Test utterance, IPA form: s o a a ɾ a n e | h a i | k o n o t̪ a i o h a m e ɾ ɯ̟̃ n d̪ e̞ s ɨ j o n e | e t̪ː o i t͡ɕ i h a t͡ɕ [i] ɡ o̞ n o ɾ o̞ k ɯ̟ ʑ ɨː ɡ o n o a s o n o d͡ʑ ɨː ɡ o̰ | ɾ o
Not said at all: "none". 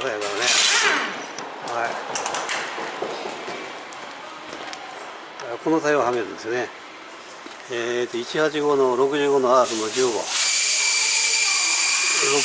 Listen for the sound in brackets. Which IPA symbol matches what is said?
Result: i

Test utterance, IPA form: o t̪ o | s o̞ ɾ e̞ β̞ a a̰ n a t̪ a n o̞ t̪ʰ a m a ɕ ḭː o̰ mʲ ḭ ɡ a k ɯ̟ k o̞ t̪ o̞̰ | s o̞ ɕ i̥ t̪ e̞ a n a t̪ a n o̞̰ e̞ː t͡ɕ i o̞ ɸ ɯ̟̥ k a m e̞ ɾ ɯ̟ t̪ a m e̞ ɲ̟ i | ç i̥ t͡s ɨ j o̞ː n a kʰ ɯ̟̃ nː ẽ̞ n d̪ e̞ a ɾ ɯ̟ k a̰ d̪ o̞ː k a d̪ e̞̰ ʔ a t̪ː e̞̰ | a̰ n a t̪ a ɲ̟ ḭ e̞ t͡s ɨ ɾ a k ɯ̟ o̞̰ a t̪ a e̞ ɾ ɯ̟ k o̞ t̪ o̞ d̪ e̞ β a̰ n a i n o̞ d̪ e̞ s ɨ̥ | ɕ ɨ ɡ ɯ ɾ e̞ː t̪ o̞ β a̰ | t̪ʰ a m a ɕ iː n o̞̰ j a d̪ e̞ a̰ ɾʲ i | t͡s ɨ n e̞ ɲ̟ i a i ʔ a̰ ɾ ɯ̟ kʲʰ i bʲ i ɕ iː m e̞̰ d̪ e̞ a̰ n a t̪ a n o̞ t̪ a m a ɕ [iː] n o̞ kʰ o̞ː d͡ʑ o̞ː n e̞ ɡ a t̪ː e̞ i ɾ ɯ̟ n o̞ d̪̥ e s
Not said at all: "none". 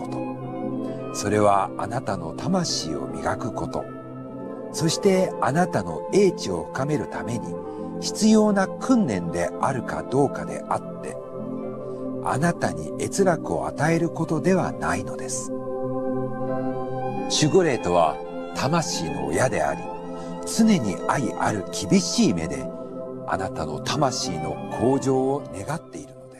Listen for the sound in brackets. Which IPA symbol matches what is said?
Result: iː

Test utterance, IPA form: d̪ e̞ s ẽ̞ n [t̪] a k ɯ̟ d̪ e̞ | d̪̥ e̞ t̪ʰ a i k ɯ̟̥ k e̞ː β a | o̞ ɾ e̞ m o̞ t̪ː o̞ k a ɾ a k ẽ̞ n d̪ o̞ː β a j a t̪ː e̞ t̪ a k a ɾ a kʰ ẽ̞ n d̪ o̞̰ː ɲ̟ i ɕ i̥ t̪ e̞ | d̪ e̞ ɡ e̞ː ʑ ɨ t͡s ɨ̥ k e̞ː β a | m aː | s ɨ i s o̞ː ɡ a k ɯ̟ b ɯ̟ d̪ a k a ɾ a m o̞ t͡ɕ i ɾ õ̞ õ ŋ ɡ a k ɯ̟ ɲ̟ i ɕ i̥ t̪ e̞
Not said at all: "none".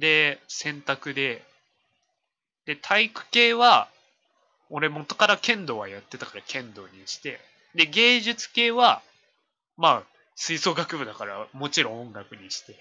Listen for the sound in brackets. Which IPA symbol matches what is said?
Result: t̪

